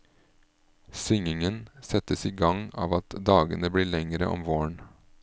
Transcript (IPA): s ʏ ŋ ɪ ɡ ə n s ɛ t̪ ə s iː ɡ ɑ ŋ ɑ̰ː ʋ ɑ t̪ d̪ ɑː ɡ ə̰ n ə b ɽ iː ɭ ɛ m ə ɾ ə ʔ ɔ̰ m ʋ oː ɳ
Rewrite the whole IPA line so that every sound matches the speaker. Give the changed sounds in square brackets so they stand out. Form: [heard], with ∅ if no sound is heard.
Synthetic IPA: s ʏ ŋ ɪ [ŋ] ə n s ɛ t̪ ə s iː ɡ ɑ ŋ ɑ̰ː ʋ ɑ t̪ d̪ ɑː ɡ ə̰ n ə b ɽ iː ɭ ɛ [ŋ] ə ɾ ə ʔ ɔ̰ m ʋ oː ɳ